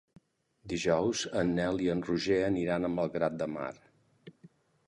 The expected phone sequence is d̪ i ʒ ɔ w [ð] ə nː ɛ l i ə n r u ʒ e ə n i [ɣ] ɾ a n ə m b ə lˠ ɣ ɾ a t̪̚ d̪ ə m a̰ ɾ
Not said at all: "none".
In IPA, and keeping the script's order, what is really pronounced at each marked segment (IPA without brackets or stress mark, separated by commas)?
z, none